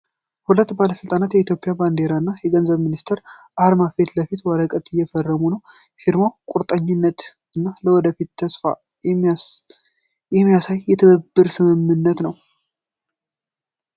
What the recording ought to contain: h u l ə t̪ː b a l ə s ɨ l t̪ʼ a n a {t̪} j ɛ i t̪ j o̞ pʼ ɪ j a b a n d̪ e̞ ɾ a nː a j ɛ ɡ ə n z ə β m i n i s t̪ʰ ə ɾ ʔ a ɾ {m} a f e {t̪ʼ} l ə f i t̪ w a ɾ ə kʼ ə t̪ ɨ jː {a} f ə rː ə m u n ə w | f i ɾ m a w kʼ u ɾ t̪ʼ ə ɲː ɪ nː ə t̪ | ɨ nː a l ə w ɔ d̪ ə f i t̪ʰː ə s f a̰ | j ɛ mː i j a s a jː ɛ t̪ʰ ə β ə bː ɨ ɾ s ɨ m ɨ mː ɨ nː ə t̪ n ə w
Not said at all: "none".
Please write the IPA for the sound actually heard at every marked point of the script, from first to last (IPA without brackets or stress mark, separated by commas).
t̪, m, t̪, ɛ